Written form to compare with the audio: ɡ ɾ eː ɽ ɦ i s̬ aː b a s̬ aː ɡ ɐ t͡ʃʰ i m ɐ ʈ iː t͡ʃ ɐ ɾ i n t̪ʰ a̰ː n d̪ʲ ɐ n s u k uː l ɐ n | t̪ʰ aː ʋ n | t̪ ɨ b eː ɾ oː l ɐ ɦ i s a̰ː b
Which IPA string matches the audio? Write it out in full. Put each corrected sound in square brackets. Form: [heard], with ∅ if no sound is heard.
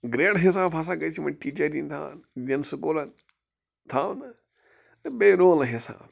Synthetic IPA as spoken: ɡ ɾ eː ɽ ɦ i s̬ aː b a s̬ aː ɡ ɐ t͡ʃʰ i m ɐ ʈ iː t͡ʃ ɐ ɾ i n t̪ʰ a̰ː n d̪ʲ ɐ n s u k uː l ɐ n | t̪ʰ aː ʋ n | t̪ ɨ b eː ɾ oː l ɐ ɦ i s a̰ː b